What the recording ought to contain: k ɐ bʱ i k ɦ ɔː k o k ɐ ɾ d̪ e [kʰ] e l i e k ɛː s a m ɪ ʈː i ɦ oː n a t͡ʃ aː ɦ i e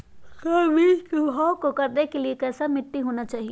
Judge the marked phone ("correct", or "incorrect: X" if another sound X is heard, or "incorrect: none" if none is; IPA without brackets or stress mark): incorrect: k